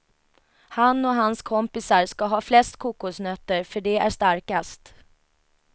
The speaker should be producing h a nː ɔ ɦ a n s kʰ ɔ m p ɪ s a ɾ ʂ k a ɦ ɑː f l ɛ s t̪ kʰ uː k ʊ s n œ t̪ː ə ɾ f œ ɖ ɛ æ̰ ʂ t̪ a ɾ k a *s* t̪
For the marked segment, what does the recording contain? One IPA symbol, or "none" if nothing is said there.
s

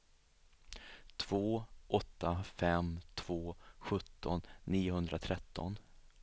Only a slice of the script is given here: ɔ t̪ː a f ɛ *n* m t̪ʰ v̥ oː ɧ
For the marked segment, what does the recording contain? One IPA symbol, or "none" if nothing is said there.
none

